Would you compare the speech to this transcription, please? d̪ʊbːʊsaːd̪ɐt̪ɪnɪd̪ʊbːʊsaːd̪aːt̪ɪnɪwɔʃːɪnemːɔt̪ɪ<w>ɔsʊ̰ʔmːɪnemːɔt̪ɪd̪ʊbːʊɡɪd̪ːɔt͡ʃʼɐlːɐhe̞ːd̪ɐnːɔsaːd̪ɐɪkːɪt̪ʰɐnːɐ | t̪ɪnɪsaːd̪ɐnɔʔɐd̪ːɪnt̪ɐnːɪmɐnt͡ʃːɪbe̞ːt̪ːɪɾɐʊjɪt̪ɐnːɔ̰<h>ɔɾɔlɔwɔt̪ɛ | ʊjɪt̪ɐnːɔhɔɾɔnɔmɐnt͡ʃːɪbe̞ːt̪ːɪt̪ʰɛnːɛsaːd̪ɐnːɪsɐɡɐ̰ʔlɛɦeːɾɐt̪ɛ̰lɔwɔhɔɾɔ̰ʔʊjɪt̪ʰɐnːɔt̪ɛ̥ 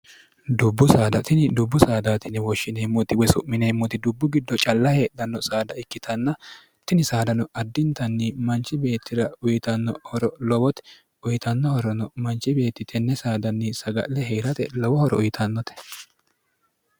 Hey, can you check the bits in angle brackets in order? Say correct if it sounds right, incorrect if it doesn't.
correct, correct

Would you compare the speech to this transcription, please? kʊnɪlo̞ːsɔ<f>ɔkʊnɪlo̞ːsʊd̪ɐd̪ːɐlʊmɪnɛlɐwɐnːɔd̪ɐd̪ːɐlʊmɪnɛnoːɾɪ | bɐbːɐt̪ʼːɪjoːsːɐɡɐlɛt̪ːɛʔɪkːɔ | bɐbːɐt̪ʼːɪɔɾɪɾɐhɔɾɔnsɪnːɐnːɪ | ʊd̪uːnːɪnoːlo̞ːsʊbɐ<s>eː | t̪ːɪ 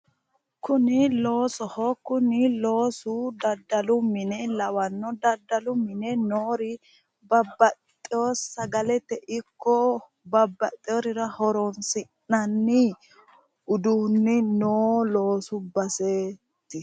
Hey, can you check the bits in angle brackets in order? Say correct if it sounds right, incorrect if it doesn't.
incorrect: h, correct

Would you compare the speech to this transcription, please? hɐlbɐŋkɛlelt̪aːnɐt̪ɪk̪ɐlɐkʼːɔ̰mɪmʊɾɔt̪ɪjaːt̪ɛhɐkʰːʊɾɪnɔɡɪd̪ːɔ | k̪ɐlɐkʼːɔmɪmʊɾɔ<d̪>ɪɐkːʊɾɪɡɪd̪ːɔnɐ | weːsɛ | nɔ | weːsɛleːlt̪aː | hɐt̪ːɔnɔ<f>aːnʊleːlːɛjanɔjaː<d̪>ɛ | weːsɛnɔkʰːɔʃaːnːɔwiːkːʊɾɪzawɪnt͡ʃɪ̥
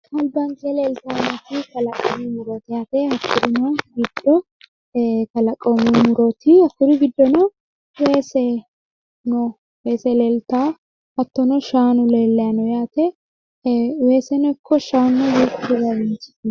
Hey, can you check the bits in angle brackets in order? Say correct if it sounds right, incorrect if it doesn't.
incorrect: t̪, incorrect: ʃ, incorrect: t̪

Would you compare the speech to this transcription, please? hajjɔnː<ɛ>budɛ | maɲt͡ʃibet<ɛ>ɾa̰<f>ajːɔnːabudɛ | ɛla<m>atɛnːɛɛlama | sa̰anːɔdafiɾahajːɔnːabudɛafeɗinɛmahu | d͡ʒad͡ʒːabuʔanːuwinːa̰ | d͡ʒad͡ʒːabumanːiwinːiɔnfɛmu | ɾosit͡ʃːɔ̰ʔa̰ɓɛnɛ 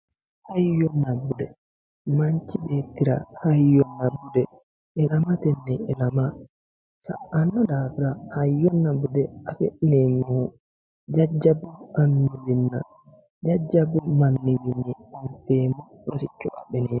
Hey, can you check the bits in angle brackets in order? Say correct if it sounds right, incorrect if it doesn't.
incorrect: a, incorrect: i, incorrect: h, correct

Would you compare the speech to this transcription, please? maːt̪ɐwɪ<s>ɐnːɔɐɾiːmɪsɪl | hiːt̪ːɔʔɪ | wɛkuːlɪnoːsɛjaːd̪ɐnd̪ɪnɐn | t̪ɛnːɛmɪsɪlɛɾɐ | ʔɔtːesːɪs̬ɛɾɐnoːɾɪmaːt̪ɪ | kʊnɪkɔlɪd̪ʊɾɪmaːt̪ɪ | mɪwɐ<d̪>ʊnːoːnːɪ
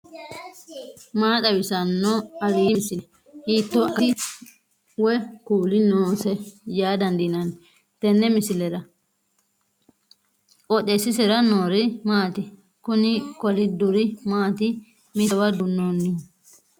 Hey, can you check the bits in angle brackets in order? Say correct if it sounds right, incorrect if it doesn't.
correct, correct

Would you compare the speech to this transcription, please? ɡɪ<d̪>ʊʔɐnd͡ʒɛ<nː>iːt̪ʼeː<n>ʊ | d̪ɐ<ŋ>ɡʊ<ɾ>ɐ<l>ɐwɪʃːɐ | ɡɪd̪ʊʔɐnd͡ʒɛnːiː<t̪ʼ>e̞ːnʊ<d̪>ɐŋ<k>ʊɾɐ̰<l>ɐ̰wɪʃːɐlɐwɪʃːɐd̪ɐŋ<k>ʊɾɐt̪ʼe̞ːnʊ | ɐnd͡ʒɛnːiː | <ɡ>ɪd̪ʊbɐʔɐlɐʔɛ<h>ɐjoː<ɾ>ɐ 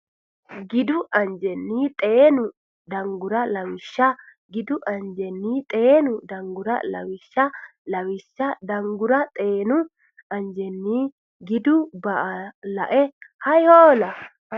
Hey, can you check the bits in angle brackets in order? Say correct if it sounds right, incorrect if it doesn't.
correct, correct, correct, correct, correct, correct, correct, correct, incorrect: ɡ, correct, incorrect: ɡ, correct, correct, incorrect: l

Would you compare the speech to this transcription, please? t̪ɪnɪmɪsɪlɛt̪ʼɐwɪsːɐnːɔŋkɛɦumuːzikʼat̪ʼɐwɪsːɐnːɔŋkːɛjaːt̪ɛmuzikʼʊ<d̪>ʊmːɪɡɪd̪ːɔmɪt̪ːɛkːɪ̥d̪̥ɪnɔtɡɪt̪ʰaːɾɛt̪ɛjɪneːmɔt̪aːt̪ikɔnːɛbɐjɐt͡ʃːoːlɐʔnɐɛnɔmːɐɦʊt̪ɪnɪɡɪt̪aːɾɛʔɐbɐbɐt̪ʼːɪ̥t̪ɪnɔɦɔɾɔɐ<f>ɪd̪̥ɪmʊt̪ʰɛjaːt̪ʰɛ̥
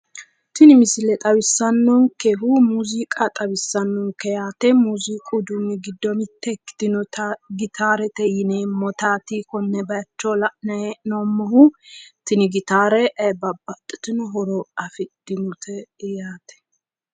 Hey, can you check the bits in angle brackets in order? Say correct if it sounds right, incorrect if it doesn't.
correct, correct

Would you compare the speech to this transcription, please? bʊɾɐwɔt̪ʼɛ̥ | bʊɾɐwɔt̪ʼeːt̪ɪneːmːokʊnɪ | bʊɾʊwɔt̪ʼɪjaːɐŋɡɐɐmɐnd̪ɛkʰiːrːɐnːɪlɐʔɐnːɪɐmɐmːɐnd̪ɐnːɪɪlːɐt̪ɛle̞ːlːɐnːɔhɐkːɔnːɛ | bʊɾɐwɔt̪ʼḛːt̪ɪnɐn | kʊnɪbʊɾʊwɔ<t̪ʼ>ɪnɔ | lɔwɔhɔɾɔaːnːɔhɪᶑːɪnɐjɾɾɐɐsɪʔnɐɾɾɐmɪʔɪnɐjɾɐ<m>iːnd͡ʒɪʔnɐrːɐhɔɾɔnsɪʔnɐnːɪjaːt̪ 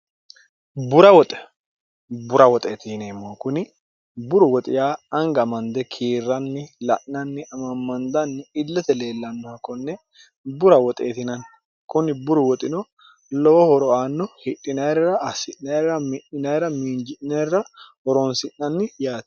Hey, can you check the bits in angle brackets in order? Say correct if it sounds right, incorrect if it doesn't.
correct, correct

